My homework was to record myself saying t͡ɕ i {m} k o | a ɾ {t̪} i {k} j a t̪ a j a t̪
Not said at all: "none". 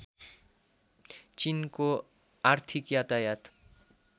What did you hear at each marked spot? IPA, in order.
n, t̪ʰ, k

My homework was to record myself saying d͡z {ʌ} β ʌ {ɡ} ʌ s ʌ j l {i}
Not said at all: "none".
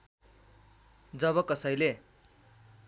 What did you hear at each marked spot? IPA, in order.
ʌ, k, e

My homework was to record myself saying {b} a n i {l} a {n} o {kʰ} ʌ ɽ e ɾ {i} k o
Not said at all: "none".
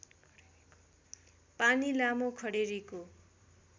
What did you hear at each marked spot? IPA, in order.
p, l, m, kʰ, i

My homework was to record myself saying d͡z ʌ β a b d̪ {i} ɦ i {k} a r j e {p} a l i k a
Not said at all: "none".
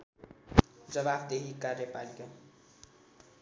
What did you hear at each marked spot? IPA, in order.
e, k, p

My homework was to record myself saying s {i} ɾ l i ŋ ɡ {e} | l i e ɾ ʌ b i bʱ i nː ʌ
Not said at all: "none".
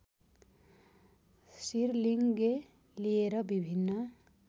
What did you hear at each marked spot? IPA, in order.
i, e

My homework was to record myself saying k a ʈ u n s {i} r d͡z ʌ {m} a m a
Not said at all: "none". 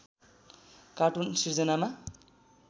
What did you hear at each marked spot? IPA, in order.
i, n

